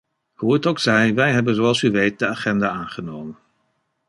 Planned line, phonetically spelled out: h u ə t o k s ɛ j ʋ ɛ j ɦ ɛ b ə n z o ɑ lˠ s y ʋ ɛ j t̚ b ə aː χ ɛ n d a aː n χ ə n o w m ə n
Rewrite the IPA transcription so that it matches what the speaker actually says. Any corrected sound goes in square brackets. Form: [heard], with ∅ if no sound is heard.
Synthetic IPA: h u ə t o k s ɛ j ʋ ɛ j ɦ ɛ b ə n z o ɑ lˠ s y ʋ [e] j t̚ [d] ə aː χ ɛ n d a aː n χ ə n o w m ə n

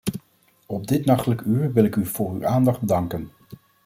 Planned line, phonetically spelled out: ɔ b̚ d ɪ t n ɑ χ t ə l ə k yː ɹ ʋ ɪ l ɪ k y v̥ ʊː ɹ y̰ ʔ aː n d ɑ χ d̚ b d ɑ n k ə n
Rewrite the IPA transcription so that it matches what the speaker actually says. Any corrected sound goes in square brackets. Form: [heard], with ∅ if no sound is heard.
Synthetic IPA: ɔ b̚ d ɪ t n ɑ χ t ə l ə k yː ɹ ʋ ɪ l ɪ k y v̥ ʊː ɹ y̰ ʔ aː n d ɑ χ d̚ b d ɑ [ŋ] k ə n

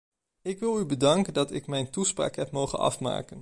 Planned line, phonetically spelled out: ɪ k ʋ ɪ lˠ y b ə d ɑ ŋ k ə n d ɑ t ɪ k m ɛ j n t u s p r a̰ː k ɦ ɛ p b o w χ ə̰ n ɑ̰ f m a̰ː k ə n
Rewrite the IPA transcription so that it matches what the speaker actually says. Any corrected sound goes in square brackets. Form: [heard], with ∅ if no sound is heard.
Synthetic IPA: ɪ k ʋ ɪ lˠ y b ə d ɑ ŋ k ə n d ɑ t ɪ k m ɛ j n t u s p r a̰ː k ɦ ɛ p [m] o w χ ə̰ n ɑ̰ f m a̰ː k ə n

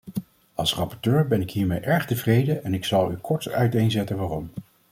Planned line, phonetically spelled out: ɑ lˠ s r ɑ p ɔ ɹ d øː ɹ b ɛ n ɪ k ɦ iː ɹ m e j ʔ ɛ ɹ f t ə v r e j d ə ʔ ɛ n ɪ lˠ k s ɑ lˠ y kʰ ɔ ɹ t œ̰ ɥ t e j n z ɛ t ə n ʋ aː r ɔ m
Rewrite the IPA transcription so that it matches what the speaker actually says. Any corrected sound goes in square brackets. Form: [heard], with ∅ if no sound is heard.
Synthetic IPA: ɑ lˠ s r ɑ p ɔ ɹ [t] øː ɹ b ɛ n ɪ k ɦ iː ɹ m e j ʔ ɛ ɹ [χ] t ə v r e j d ə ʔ ɛ n ɪ [∅] k s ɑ lˠ y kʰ ɔ ɹ t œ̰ ɥ t e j n z ɛ t ə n ʋ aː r ɔ m

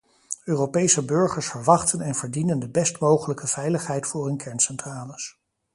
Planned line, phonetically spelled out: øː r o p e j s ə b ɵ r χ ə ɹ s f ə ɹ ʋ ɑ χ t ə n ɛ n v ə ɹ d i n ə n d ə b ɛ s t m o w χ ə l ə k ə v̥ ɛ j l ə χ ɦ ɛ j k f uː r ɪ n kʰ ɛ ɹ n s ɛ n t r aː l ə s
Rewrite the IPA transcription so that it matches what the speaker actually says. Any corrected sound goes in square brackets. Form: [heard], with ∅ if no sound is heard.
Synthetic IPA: øː r o p e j s ə b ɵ [ɹ] χ ə ɹ s f ə ɹ ʋ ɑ χ t ə n ɛ n v ə ɹ d i n ə n d ə b ɛ s t m o w χ ə l ə k ə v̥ ɛ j l ə χ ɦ ɛ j [t] f [ʊː] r ɪ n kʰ ɛ ɹ n s ɛ n t r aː l ə s

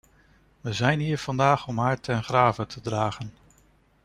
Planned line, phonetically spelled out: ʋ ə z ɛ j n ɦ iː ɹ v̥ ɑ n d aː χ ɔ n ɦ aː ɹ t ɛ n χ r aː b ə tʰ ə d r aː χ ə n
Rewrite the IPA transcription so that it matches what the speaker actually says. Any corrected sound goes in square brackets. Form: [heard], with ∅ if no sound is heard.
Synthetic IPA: ʋ ə z ɛ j n ɦ iː ɹ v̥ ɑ n d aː χ ɔ [m] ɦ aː ɹ t ɛ n χ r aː [v] ə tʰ ə d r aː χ ə n

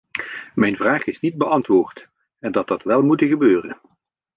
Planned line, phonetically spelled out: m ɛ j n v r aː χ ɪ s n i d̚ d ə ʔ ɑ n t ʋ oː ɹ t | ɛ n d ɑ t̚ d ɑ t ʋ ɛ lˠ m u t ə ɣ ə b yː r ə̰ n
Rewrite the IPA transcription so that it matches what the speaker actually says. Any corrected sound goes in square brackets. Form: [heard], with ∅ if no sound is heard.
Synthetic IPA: m ɛ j n v r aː χ ɪ s n i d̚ [b] ə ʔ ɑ n t ʋ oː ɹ t | ɛ n d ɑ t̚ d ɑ t ʋ ɛ lˠ m u t ə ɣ ə b [øː] r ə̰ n

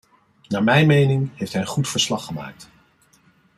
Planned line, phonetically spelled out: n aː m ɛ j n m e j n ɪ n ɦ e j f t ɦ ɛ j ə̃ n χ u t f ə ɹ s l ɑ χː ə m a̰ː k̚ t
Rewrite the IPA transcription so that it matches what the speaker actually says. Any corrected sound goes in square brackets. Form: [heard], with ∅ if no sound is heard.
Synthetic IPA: n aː m ɛ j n m e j n ɪ [ŋ] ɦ e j f t ɦ ɛ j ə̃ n χ u t f ə ɹ s l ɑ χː ə m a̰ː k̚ t

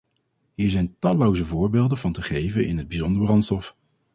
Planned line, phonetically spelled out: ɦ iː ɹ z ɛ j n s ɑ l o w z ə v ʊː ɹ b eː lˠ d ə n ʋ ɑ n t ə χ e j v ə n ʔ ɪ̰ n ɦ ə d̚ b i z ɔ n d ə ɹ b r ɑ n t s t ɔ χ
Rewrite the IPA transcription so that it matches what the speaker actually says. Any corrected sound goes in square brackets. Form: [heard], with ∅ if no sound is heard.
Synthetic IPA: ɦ iː ɹ z ɛ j n [t] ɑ l o w z ə v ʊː ɹ b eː lˠ d ə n [v] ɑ n t ə χ e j v ə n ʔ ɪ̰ n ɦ ə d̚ b i z ɔ n d ə ɹ b r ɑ n t s t ɔ [f]

